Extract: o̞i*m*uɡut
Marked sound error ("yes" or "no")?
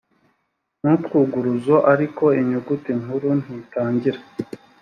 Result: yes